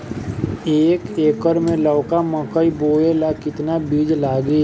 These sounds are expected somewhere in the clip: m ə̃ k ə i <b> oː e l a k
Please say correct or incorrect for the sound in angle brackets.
correct